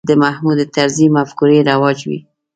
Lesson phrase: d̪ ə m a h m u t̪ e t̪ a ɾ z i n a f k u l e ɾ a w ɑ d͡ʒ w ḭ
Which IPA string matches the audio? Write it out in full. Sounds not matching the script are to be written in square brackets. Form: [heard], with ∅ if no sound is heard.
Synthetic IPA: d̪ ə m a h m u [d̪] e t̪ a ɾ z i [m] a f k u [ɾ] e ɾ a w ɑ d͡ʒ w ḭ